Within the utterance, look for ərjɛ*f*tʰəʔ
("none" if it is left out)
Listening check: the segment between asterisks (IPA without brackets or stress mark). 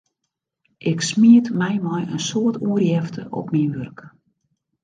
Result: f